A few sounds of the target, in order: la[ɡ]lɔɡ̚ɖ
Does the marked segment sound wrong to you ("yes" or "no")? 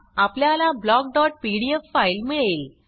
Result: yes